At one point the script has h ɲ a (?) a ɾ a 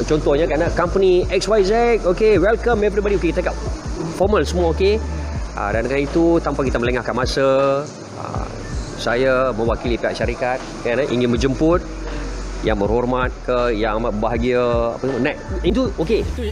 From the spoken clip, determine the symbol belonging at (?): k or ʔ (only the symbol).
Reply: k